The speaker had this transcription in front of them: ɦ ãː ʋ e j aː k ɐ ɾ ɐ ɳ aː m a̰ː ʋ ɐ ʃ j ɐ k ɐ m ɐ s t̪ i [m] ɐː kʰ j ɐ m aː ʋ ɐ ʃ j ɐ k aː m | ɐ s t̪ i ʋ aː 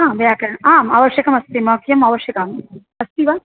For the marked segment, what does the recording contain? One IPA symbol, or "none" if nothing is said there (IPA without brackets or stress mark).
m